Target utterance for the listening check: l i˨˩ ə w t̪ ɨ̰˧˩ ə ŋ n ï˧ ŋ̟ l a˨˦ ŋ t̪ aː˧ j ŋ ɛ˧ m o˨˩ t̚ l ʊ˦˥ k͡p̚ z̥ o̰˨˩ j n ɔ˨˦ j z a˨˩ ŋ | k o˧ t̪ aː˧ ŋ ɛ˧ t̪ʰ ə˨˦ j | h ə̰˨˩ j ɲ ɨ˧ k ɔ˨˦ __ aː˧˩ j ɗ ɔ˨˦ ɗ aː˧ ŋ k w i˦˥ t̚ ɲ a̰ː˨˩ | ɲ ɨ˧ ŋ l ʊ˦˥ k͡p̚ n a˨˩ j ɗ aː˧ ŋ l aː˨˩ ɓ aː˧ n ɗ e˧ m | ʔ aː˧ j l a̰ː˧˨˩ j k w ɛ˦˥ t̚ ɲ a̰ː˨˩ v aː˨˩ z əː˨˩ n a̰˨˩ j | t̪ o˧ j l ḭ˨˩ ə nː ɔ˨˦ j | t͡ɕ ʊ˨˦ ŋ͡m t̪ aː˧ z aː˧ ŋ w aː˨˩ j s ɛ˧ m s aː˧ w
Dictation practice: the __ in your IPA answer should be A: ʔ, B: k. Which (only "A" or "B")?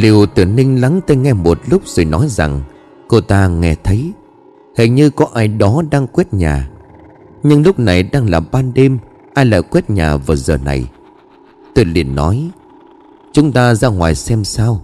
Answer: A